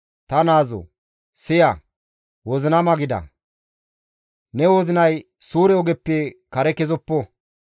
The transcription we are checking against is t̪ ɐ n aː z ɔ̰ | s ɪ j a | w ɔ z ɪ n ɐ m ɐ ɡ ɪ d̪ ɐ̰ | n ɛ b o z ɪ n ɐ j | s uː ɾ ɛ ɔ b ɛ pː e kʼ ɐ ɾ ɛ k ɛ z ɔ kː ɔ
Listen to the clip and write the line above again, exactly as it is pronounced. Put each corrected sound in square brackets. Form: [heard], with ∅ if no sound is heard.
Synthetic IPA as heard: t̪ ɐ n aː z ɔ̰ | s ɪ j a | w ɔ z ɪ n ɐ m ɐ ɡ ɪ d̪ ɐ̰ | n ɛ [w] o z ɪ n ɐ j | s uː ɾ ɛ ɔ [ɡ] ɛ pː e [k] ɐ ɾ ɛ k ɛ z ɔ [pː] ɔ